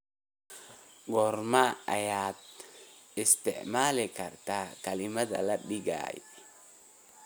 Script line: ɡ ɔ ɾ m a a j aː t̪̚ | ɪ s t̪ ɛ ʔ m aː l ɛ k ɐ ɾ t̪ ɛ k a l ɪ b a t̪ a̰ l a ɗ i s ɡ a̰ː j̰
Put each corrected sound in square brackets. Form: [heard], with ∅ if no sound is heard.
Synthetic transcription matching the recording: ɡ ɔ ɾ m a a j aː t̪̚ | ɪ s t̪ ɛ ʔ m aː l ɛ k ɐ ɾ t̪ [a] k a l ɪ [m] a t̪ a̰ l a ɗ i [∅] ɡ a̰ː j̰